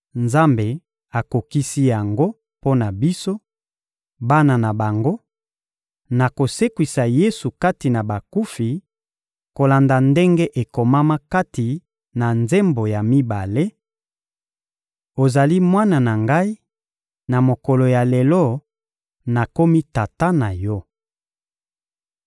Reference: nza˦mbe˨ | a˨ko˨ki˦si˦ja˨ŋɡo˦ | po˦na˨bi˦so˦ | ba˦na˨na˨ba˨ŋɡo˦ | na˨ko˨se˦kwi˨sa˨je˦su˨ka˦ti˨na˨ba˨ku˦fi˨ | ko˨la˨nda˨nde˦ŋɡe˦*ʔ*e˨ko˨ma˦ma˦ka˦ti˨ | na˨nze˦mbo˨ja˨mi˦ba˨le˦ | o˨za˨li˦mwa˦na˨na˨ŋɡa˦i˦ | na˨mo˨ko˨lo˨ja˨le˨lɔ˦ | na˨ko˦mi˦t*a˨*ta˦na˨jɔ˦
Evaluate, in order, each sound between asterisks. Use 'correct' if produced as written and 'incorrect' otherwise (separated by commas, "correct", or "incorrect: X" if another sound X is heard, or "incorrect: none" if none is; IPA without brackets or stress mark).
correct, correct